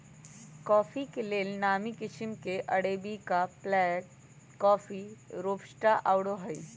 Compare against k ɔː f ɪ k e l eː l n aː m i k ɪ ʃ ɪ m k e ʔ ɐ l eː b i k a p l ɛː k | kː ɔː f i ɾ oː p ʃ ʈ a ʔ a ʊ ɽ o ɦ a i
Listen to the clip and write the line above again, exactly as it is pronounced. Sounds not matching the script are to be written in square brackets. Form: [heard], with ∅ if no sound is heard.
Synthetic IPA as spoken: k ɔː f [i] k e l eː l n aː m i k ɪ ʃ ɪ m k e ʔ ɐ [ɽ] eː b i k a p l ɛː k | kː ɔː f i ɾ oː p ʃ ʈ a ʔ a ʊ ɽ o ɦ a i